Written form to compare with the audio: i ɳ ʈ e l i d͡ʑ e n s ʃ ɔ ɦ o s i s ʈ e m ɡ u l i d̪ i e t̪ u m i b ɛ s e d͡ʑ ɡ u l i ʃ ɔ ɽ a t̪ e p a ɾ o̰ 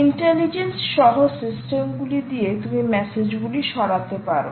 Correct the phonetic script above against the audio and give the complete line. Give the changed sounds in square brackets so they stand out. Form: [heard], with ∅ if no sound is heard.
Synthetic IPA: i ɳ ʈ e l i d͡ʑ e n s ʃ ɔ ɦ o s i s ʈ e m ɡ u l i d̪ i e t̪ u m i [m] ɛ s e d͡ʑ ɡ u l i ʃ ɔ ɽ a t̪ e p a ɾ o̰

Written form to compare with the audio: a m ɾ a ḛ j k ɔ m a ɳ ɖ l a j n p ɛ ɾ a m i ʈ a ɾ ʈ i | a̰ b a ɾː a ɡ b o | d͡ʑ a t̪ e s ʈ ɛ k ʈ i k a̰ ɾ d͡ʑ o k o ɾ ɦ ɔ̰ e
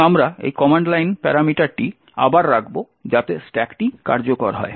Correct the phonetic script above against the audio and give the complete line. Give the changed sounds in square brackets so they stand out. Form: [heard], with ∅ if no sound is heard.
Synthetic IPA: a m ɾ a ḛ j k ɔ m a ɳ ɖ l a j n p ɛ ɾ a m i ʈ a ɾ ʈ i | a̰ b a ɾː a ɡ b o | d͡ʑ a t̪ e s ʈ ɛ k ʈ i k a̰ ɾ d͡ʑ o k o ɾ ɦ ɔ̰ e

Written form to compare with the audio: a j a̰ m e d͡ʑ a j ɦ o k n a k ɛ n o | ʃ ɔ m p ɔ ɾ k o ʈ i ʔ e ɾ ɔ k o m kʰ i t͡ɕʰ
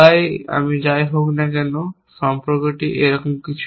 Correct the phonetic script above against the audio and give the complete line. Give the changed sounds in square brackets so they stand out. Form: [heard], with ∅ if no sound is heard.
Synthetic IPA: a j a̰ m [i] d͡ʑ a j ɦ o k n a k ɛ n o | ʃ ɔ m p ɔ ɾ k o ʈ i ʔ e ɾ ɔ k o m [k] i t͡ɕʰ

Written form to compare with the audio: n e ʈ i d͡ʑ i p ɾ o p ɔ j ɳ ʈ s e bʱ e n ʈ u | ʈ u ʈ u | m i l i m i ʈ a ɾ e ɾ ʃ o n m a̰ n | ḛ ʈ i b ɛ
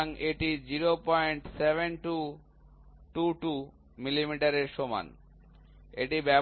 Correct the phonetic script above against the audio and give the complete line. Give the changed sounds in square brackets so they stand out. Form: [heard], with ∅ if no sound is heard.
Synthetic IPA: [ŋ] e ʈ i d͡ʑ i [∅] ɾ o p ɔ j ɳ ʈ s e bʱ e n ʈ u | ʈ u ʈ u | m i l i m i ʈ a ɾ e ɾ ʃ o [∅] m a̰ n | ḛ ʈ i b ɛ

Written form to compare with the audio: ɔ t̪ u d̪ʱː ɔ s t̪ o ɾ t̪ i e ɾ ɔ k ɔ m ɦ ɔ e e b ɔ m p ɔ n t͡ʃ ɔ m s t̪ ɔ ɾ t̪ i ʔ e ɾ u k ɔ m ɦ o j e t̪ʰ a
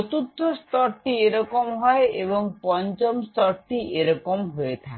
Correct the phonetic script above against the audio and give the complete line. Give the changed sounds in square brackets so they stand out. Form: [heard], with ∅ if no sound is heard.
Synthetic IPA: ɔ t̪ u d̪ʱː ɔ s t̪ [ɔ] ɾ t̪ i e ɾ ɔ k ɔ m ɦ ɔ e e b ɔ [ŋ] p ɔ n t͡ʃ ɔ m s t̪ ɔ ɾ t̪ i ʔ e ɾ [ɔ] k ɔ m ɦ o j e t̪ʰ a

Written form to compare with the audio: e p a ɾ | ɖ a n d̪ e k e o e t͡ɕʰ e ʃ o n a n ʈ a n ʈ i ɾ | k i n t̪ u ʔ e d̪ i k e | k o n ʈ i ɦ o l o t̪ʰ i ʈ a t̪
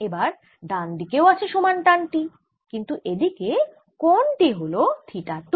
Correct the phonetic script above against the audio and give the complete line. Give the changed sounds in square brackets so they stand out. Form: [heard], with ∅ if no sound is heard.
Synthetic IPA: e [b] a ɾ | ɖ a n d̪ [i] k e o [a] t͡ɕʰ e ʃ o [m] a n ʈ a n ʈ i [∅] | k i n t̪ u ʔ e d̪ i k e | k o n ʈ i ɦ o l o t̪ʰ i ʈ a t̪

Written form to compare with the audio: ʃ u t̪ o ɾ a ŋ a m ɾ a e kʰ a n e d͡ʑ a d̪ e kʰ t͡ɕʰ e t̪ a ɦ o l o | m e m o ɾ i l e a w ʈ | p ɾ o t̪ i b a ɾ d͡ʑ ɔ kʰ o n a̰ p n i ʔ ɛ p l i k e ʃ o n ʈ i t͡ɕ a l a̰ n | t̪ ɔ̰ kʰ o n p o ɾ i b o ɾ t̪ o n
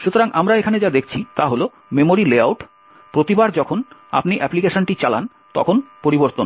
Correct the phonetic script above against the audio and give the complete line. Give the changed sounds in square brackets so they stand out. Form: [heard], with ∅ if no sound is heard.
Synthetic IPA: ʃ u t̪ o ɾ a ŋ a m ɾ a e kʰ a n e d͡ʑ a d̪ e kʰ t͡ɕʰ [i] t̪ a ɦ o l o | m e m o ɾ i l e a w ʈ | p ɾ o t̪ i b a ɾ d͡ʑ ɔ kʰ o n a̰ p n i ʔ ɛ p l i k e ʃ o n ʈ i t͡ɕ a l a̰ n | t̪ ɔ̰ kʰ o n p o ɾ i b o ɾ t̪ o n

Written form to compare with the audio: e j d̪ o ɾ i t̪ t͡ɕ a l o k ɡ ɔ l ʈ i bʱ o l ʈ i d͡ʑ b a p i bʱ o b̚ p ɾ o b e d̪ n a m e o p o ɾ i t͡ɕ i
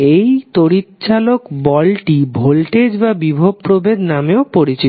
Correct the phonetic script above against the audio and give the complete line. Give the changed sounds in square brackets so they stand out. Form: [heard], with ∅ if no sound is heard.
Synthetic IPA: e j [t̪] o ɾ i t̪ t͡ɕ a l o k [b] ɔ l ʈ i bʱ o l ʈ [e] d͡ʑ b a [b] i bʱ o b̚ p ɾ o b e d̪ n a m e o p o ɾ i t͡ɕ i

